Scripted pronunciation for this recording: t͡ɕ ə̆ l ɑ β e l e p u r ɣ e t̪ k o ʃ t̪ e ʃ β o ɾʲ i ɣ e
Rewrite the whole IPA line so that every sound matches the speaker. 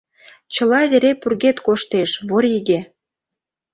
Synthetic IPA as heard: t͡ɕ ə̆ l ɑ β e ɾ e p u r ɣ e t̪ k o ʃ t̪ e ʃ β o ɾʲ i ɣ e